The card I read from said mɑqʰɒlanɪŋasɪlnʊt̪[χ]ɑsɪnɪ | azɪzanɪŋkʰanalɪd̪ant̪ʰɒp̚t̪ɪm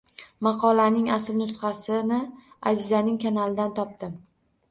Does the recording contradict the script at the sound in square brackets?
no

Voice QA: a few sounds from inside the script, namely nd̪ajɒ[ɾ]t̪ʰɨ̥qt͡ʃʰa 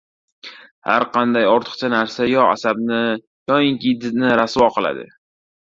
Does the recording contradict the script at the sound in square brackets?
no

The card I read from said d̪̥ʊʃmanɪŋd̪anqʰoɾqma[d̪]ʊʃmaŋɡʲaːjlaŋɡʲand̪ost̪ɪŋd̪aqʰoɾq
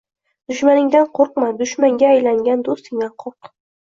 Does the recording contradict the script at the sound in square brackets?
no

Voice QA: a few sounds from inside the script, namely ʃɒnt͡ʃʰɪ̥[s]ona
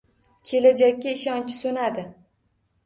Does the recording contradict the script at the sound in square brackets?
no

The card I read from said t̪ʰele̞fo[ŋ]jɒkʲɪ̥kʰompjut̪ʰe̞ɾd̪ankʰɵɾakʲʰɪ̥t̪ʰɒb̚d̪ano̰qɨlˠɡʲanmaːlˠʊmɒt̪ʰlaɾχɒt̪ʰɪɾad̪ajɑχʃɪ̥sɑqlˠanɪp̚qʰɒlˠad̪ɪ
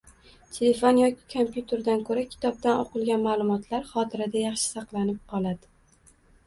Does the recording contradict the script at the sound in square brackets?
yes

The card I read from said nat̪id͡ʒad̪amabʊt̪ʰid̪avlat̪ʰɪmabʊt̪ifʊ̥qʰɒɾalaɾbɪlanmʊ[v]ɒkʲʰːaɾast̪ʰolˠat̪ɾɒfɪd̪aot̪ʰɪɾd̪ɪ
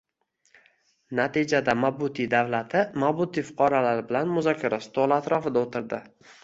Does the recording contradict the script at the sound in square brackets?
yes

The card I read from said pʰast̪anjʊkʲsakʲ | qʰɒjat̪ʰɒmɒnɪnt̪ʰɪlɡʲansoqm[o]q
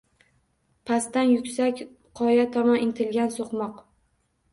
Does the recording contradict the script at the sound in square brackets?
yes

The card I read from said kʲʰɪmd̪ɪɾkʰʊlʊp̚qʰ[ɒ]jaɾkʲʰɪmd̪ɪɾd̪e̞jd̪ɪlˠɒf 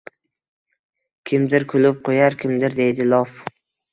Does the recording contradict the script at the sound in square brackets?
yes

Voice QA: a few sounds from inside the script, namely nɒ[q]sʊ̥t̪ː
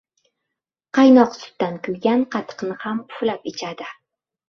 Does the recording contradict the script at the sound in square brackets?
no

